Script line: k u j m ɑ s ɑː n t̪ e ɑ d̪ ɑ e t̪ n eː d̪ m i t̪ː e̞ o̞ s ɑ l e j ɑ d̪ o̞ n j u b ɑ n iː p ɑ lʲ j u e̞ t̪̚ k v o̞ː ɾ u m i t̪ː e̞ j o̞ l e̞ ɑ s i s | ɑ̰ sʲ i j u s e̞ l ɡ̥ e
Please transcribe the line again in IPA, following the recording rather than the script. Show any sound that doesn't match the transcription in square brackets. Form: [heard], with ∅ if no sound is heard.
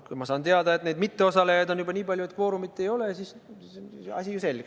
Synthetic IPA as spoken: k u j m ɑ s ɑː n t̪ e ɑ d̪ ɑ e t̪ n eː d̪ m i t̪ː e̞ o̞ s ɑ l e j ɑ d̪ o̞ n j u b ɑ n iː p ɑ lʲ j u e̞ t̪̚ k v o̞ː ɾ u m i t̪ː e̞ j o̞ l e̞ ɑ s i s | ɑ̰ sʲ i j u s e̞ l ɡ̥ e